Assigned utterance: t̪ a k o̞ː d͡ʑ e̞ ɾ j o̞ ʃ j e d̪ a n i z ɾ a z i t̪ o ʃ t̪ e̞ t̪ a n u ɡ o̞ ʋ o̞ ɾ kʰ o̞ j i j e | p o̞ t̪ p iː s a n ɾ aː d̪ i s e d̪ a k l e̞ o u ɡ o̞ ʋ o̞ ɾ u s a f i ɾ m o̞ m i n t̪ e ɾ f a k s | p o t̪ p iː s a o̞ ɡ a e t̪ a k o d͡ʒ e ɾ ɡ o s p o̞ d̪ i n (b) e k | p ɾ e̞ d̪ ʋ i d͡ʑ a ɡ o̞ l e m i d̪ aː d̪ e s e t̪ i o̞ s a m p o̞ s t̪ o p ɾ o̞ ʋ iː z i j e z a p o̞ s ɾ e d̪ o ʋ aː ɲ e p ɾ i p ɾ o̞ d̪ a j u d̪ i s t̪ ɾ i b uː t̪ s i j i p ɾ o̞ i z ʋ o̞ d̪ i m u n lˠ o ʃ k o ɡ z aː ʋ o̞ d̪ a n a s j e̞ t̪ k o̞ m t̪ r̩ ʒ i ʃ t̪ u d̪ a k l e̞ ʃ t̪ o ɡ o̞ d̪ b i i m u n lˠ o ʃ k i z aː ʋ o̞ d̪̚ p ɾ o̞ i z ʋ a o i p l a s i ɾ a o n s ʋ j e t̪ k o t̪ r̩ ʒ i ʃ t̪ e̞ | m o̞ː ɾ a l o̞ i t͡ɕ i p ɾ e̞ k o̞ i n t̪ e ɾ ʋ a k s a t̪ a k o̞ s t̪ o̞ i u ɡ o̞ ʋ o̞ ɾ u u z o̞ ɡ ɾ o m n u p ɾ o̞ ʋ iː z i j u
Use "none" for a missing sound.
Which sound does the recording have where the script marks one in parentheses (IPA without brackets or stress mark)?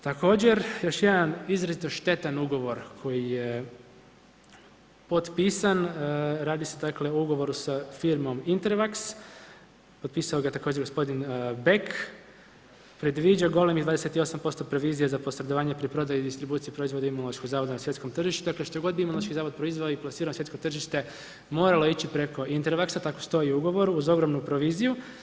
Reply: b